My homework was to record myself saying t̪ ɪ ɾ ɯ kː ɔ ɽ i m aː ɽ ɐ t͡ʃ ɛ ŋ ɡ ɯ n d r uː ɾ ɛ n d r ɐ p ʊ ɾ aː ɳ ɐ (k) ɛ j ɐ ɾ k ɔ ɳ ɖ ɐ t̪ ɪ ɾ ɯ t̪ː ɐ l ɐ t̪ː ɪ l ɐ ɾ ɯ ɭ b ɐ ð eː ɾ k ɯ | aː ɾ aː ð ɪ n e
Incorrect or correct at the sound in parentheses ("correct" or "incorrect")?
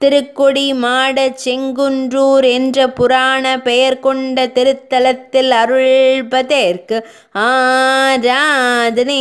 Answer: incorrect